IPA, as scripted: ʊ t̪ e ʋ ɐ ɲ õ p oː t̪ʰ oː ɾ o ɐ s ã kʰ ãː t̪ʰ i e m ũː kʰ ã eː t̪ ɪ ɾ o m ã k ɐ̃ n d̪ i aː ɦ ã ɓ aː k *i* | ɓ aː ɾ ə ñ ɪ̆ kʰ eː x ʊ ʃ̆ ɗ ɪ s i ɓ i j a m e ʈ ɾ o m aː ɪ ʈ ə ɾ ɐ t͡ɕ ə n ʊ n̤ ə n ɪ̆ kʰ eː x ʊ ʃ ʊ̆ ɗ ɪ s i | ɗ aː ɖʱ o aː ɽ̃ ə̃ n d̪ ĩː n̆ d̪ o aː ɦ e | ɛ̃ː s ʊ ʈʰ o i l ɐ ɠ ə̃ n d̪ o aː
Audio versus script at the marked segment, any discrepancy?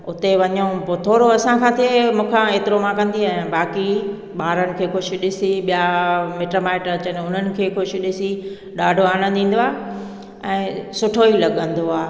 no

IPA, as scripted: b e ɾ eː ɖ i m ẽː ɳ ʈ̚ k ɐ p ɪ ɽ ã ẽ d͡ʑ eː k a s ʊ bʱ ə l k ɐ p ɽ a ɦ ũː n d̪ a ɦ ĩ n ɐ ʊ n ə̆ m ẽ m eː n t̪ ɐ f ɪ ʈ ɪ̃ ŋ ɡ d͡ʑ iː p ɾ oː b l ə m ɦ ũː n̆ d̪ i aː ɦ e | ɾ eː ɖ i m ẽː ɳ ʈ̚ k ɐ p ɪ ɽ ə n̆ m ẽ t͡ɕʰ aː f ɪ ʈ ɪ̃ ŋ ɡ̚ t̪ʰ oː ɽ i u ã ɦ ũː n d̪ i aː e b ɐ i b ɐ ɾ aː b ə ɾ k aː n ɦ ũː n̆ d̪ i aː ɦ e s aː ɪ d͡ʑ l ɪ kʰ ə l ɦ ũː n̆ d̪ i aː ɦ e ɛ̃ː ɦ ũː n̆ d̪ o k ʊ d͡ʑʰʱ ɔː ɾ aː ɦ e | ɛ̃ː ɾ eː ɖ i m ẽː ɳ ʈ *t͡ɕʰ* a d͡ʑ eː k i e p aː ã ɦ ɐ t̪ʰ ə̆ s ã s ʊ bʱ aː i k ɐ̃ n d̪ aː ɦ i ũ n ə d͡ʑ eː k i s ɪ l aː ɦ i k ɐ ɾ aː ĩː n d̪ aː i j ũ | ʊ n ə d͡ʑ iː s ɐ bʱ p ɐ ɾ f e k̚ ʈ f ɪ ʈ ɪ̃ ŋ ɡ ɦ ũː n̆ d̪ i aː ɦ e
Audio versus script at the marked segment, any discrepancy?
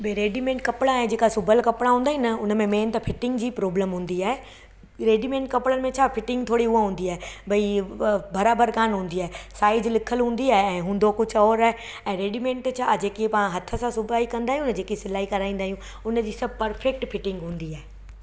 no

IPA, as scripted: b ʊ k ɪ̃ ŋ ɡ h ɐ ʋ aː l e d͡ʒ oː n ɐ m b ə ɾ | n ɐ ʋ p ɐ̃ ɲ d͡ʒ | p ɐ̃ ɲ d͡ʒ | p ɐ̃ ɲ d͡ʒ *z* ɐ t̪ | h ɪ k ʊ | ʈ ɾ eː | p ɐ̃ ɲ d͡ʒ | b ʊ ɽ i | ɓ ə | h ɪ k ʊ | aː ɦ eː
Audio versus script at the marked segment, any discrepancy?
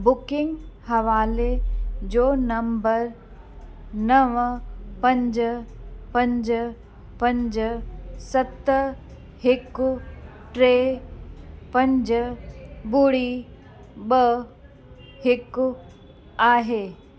yes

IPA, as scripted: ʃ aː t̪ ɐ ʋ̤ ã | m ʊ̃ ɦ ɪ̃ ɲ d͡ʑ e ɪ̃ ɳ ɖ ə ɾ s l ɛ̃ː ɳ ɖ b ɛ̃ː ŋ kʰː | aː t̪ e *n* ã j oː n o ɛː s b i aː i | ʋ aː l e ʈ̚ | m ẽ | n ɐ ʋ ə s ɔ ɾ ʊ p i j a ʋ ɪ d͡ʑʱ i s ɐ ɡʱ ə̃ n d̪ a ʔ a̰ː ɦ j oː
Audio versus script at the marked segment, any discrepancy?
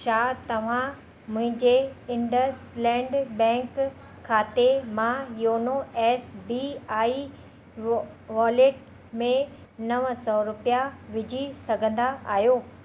yes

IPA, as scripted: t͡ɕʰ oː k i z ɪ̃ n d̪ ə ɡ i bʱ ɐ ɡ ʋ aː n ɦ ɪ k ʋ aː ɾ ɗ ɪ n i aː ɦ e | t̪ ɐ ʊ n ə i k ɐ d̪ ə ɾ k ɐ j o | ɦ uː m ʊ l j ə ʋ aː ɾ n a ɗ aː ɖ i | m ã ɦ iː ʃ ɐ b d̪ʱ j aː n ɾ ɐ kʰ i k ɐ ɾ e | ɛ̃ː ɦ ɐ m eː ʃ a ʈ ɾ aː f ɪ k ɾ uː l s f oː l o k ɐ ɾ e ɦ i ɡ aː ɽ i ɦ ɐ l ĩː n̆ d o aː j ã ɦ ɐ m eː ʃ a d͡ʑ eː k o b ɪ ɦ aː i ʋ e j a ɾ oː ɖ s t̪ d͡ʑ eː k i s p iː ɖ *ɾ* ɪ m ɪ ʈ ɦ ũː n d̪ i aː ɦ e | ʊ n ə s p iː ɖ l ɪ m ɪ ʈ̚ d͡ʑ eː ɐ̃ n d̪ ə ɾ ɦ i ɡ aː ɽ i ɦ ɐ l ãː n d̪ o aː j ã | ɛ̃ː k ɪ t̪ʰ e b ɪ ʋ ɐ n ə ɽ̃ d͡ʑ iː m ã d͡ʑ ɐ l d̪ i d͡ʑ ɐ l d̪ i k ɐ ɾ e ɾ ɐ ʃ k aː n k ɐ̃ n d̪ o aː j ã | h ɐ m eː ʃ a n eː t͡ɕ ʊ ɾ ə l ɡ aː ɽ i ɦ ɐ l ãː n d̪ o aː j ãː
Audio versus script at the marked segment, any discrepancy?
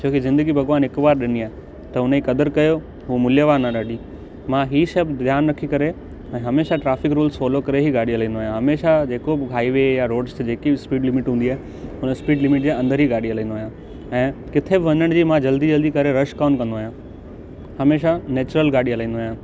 yes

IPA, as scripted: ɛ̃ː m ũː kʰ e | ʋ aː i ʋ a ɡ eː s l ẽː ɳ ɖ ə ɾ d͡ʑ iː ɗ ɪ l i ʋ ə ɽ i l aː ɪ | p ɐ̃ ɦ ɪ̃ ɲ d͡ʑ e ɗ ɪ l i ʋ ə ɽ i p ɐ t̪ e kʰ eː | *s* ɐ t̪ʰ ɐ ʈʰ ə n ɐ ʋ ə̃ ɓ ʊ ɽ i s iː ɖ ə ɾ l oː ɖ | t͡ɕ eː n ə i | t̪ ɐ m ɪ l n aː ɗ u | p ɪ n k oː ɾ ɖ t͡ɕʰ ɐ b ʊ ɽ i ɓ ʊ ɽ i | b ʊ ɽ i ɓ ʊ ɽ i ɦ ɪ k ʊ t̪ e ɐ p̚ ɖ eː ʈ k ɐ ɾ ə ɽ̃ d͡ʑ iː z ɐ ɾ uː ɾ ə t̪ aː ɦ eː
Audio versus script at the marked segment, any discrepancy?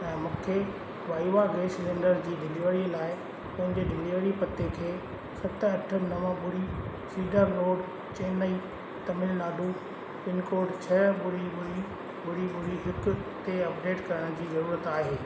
no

